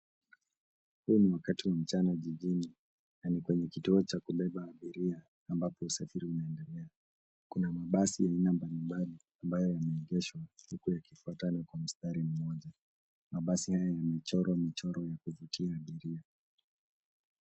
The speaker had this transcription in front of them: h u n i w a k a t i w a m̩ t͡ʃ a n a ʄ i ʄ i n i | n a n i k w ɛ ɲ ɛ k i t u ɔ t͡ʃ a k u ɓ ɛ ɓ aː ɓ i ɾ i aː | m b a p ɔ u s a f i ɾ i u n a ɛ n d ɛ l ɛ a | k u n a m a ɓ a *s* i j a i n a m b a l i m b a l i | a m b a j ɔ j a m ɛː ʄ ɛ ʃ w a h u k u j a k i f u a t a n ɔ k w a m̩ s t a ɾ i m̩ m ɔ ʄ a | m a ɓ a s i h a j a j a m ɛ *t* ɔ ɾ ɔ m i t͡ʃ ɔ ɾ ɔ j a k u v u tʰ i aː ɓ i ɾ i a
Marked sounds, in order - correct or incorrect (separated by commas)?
correct, incorrect